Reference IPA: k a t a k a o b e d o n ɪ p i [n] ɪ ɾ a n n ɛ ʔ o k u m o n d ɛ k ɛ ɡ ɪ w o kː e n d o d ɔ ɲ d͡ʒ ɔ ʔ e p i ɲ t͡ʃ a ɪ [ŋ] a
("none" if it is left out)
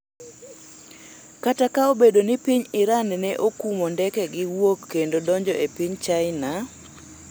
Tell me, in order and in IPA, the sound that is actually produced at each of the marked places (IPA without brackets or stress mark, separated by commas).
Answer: ɲ, n